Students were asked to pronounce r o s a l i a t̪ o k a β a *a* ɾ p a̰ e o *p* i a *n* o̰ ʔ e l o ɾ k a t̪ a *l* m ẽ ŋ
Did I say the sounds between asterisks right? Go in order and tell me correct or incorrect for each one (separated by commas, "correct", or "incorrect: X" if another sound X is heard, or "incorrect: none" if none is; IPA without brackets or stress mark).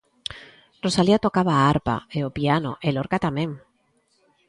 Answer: correct, correct, correct, incorrect: none